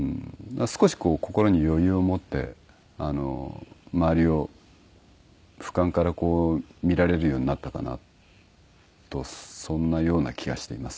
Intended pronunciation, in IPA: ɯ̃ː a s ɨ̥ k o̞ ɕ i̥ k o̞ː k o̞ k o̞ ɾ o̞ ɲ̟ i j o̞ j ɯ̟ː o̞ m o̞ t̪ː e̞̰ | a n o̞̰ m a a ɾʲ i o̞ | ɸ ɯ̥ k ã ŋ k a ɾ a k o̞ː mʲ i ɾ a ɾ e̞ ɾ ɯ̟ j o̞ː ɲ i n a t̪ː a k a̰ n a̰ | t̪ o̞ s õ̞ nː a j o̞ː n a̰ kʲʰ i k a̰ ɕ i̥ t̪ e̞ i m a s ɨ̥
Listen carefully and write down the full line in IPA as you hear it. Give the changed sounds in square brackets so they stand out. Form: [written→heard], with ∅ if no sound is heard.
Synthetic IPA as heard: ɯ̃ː a s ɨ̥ k o̞ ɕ i̥ k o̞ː k o̞ k o̞ ɾ o̞ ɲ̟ i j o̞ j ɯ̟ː o̞ m o̞ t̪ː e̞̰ | a n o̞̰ m a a ɾʲ i o̞ | ɸ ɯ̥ k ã ŋ k a ɾ a k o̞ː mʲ i ɾ a ɾ e̞ ɾ ɯ̟ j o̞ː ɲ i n a t̪ː a k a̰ n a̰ | t̪ o̞ s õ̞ nː a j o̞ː n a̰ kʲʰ i [k→ɡ] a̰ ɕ i̥ t̪ e̞ i m a s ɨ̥